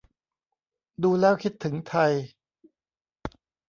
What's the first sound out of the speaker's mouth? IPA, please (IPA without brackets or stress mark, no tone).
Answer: d